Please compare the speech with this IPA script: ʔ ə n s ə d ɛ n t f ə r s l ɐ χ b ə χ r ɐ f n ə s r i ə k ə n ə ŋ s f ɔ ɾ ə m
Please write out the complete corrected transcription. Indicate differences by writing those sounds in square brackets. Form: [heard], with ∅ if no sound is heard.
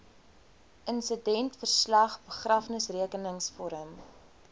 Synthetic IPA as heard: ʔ ə n s ə d ɛ n t f ə r s l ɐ χ b ə χ r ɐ f n ə s r i ə k ə n ə ŋ s f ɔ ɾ ə m